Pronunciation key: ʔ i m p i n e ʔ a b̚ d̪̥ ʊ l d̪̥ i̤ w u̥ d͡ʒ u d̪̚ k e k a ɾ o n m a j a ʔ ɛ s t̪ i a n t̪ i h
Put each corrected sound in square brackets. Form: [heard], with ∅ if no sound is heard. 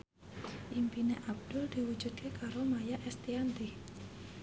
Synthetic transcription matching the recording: ʔ i m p i n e ʔ a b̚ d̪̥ ʊ l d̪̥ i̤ w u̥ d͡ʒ u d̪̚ k e k a ɾ o [∅] m a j a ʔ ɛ s t̪ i a n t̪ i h